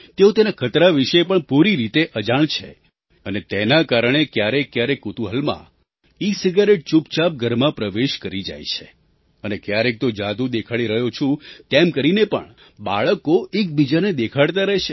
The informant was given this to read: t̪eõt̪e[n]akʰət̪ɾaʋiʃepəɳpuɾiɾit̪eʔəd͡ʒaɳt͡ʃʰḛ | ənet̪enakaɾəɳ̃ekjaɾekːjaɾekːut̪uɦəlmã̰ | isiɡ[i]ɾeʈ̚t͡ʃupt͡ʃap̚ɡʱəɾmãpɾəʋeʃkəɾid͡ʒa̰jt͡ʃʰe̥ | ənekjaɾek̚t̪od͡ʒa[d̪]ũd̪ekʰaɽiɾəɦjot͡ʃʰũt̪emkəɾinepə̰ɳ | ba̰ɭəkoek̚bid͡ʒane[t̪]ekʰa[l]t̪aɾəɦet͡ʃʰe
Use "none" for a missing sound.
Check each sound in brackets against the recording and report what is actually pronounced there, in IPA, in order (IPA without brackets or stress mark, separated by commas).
n, a, d̪, d̪, ɽ